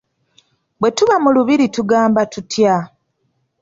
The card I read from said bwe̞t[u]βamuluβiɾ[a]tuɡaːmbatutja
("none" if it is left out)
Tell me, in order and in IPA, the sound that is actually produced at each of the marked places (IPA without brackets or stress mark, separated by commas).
u, i